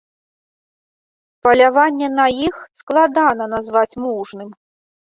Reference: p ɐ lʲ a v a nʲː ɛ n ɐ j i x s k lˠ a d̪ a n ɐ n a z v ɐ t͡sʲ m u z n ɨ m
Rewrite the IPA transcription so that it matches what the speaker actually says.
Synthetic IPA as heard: p ɐ lʲ a v a nʲː ɛ n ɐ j i x s k lˠ a d̪ a n ɐ n a z v a t͡sʲ m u ʐ n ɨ m